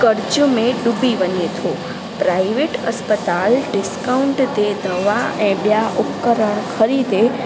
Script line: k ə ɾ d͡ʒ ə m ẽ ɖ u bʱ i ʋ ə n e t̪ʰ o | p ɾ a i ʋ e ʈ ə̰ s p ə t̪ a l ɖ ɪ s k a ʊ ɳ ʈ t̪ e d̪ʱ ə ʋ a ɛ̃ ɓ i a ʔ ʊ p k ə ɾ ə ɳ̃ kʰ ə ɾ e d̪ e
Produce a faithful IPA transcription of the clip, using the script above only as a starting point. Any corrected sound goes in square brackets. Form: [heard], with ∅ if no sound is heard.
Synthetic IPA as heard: k ə ɾ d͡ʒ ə m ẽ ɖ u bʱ i ʋ ə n e t̪ʰ o | p ɾ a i ʋ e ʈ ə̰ s p ə t̪ a l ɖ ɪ s k a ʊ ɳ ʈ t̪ e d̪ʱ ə ʋ a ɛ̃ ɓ [j] a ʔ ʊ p k ə ɾ ə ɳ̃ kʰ ə ɾ [i] d̪ e

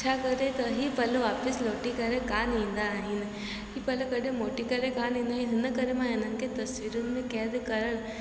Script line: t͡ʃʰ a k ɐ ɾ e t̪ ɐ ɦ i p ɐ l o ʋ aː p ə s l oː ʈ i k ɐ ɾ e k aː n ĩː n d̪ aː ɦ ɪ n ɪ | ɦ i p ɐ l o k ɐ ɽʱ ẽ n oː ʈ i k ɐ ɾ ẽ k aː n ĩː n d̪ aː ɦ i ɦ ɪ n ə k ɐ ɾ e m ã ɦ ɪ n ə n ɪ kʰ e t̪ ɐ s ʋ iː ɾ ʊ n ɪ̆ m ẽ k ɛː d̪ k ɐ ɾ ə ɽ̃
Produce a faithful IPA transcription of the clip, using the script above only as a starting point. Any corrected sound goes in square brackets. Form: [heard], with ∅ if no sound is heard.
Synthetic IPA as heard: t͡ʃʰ a k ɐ ɾ e t̪ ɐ ɦ i p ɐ l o ʋ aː p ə s l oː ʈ i k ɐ ɾ e k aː n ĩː n d̪ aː ɦ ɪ n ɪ | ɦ i p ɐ l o k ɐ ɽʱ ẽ [m] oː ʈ i k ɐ ɾ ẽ k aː n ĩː n d̪ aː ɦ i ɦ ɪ n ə k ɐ ɾ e m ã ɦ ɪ n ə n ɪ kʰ e t̪ ɐ s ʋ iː ɾ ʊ n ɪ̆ m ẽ k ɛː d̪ k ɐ ɾ ə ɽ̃

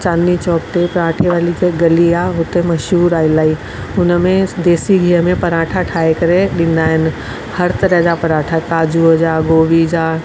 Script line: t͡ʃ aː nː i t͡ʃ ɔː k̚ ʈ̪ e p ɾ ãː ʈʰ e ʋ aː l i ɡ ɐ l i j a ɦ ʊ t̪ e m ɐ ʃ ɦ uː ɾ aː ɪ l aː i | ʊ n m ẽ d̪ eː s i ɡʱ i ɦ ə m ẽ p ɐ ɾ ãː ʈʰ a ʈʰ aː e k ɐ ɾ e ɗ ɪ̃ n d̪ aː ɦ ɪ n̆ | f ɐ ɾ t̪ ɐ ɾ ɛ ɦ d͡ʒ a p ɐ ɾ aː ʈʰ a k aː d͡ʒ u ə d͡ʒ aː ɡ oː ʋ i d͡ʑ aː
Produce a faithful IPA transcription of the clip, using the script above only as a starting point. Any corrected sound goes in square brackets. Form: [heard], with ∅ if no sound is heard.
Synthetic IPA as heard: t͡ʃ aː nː i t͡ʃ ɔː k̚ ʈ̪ e p ɾ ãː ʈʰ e ʋ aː l i ɡ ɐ l i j a ɦ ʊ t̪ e m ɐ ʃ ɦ uː ɾ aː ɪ l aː i | ʊ n m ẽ d̪ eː s i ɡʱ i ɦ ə m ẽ p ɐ ɾ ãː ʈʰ a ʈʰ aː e k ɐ ɾ e ɗ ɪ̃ n d̪ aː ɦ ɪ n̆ | [h] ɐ ɾ t̪ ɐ ɾ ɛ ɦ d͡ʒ a p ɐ ɾ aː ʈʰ a k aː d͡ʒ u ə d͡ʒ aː ɡ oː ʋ i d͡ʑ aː

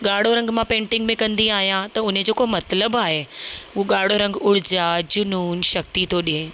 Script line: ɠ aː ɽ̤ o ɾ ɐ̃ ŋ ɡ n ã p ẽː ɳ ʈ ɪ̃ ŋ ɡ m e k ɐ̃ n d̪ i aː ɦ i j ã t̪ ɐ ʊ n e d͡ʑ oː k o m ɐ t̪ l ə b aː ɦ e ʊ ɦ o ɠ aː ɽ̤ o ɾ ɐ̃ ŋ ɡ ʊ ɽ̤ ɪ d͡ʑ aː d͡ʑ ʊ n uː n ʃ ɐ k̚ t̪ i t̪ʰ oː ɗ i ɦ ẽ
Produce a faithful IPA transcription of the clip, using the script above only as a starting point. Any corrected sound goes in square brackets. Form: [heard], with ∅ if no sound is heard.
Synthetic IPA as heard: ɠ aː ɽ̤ o ɾ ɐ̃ ŋ ɡ [m] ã p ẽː ɳ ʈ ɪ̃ ŋ ɡ m [ẽ] k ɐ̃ n d̪ i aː ɦ i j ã t̪ ɐ ʊ n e d͡ʑ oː k o m ɐ t̪ l ə b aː ɦ e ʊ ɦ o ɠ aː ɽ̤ o ɾ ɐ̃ ŋ ɡ ʊ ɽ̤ ɪ d͡ʑ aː d͡ʑ ʊ n uː n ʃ ɐ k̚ t̪ i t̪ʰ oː ɗ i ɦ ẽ

